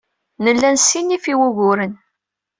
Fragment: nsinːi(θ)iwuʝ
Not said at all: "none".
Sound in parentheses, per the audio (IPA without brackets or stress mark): f